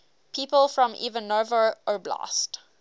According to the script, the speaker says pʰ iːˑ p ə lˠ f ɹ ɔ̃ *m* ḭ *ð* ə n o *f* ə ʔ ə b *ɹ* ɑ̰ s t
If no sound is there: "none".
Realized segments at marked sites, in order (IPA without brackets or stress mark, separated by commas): m, v, v, l